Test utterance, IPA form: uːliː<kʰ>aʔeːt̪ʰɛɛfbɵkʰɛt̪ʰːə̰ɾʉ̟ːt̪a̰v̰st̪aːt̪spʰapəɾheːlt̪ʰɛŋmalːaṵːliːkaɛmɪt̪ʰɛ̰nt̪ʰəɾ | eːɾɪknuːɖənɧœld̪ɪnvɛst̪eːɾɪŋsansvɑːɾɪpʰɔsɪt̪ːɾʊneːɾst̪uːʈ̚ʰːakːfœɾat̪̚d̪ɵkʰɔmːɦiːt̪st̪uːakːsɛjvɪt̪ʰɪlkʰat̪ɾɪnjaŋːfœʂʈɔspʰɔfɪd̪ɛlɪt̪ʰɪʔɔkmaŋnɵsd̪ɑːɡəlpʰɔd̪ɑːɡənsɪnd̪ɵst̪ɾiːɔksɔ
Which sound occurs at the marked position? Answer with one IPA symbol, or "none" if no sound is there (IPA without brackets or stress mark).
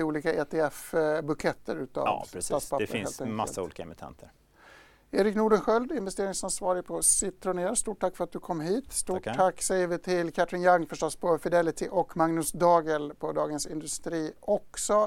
k